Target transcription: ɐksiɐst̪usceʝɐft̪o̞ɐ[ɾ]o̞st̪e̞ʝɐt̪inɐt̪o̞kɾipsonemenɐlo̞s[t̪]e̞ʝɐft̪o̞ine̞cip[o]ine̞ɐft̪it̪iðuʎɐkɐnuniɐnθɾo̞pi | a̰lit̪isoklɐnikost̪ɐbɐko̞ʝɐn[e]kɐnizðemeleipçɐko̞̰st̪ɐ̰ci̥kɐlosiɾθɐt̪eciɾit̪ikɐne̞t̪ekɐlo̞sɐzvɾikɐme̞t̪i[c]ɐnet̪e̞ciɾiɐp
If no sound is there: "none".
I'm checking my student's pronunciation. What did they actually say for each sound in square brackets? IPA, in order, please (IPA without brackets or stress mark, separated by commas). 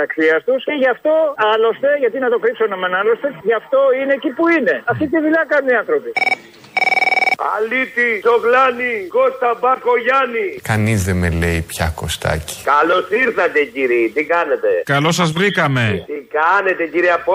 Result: l, t̪, u, i, k